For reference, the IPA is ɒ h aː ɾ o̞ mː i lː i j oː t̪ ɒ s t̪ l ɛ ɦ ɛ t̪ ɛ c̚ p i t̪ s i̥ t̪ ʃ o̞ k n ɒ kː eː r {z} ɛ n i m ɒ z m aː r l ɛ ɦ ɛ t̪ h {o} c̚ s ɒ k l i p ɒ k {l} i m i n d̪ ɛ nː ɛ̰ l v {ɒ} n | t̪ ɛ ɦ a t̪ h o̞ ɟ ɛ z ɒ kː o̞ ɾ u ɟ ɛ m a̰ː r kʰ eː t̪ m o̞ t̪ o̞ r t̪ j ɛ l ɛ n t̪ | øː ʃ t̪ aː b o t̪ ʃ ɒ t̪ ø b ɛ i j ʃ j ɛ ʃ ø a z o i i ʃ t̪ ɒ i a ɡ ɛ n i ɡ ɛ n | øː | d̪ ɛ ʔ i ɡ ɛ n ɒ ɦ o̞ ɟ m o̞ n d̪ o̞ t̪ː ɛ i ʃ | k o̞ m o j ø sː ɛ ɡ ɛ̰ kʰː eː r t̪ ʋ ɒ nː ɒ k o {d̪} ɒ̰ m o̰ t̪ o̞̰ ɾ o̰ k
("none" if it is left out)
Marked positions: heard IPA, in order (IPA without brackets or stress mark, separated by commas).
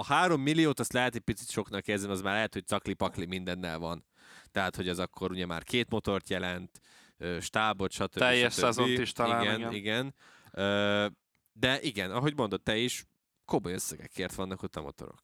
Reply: z, o, l, ɒ, t̪